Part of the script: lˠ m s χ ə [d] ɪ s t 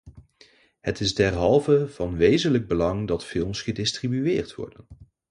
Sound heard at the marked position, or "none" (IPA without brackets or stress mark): d